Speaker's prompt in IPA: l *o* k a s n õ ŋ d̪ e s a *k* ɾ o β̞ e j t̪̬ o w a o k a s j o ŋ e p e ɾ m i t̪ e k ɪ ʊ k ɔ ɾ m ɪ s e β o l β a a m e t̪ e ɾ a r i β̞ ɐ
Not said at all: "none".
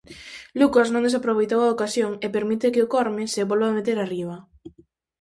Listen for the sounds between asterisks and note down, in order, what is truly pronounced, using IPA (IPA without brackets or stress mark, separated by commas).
u, p